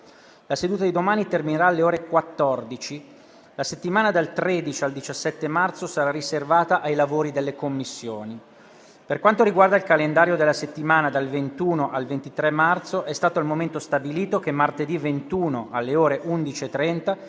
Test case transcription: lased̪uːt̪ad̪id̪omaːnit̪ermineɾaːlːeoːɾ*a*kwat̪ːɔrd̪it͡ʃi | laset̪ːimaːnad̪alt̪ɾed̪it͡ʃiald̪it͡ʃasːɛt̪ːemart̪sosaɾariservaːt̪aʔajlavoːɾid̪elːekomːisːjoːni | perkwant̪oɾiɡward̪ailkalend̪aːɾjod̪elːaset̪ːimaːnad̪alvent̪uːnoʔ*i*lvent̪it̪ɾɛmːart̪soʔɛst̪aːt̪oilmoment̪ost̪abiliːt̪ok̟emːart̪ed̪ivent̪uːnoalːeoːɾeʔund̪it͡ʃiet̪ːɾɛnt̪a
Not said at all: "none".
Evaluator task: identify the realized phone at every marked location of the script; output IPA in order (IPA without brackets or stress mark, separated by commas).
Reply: e, a